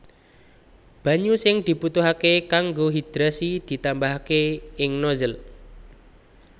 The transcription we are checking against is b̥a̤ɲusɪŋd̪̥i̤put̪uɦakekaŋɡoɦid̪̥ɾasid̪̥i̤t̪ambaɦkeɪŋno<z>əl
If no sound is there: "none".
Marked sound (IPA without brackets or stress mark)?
z